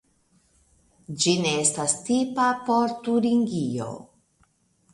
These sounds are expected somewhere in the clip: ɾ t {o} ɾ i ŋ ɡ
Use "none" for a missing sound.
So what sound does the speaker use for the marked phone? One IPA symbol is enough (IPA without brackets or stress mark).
u